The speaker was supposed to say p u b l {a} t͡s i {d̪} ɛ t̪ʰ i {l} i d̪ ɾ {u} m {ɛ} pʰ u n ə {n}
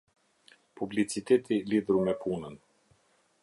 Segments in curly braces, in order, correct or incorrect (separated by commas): incorrect, incorrect, correct, correct, correct, correct